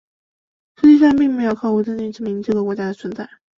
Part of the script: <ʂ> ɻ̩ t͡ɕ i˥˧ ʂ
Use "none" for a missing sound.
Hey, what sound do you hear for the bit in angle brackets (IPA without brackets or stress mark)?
ʂ